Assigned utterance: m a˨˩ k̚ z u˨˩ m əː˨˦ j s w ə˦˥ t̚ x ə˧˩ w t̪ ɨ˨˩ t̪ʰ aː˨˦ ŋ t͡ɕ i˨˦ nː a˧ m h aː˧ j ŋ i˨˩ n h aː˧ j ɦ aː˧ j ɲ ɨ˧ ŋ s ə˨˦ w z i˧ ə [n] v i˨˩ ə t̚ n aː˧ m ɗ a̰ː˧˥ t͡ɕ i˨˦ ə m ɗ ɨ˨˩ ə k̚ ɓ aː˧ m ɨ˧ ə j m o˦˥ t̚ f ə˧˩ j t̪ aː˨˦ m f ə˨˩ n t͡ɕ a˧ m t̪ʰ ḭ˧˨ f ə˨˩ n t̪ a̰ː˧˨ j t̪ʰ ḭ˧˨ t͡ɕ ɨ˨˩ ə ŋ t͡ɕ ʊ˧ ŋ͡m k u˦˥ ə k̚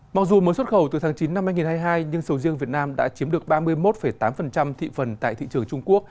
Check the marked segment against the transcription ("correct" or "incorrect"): incorrect